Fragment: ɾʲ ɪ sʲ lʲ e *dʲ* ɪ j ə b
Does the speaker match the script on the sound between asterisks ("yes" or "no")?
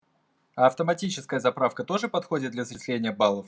no